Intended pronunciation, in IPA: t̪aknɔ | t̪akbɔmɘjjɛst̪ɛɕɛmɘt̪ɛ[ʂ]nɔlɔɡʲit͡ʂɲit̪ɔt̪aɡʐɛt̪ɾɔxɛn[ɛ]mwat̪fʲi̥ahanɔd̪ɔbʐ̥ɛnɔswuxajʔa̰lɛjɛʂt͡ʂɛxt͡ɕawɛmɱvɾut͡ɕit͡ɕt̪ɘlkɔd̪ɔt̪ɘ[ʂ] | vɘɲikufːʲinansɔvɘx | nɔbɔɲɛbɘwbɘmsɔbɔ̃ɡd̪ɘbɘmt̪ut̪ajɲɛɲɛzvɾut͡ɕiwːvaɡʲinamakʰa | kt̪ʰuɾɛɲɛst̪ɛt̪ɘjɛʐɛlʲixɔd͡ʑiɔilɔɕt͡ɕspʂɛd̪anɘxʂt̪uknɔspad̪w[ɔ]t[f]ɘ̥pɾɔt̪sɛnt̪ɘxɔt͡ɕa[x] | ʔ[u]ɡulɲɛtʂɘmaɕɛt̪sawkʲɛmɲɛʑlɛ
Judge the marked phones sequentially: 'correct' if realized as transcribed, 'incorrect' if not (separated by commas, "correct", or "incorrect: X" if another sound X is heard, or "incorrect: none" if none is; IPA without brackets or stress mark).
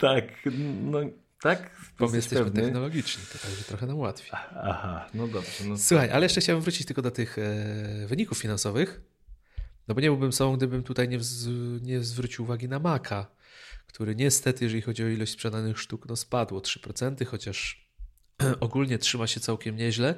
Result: incorrect: x, incorrect: a, incorrect: x, correct, incorrect: ʂ, incorrect: ʂ, incorrect: ɔ